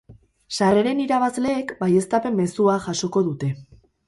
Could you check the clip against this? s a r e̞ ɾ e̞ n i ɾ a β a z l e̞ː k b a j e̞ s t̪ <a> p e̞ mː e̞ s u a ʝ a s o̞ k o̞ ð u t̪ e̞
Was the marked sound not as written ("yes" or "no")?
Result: no